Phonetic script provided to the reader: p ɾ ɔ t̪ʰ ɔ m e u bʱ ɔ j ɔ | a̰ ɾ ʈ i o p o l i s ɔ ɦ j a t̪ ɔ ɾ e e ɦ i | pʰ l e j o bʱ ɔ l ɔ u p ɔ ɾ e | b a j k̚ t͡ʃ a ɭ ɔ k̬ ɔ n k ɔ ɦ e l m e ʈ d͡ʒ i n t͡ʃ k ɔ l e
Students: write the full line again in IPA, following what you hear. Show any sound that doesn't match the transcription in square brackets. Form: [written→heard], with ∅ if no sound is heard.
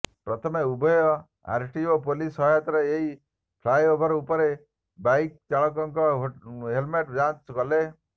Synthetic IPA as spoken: p ɾ ɔ t̪ʰ ɔ m e u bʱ ɔ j ɔ | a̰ ɾ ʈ i o p o l i s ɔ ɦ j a t̪ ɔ ɾ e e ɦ i | pʰ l [e→a] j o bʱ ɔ [l→ɾ] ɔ u p ɔ ɾ e | b a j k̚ t͡ʃ a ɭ ɔ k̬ ɔ [n→ŋ] k ɔ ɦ e l m e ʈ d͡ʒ [i→a] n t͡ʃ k ɔ l e